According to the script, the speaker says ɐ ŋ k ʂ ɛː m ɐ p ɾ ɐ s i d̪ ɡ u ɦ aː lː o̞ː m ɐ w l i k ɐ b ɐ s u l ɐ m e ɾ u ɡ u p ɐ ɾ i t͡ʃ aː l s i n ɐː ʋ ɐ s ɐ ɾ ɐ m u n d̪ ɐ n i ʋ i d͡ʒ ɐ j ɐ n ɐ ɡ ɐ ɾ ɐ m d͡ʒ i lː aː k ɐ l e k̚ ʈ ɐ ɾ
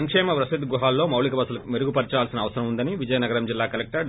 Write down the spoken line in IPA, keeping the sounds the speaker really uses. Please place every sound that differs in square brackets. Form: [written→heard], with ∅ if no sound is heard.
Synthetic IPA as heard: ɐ ŋ k ʂ ɛː m ɐ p ɾ ɐ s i d̪ ɡ u ɦ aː lː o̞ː m ɐ w l i k ɐ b ɐ s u l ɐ m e ɾ u ɡ u p ɐ ɾ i t͡ʃ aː l s i n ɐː ʋ ɐ s ɐ ɾ ɐ m u n d̪ ɐ n i ʋ i d͡ʒ ɐ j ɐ n ɐ ɡ ɐ ɾ ɐ m d͡ʒ i lː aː k ɐ l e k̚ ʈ ɐ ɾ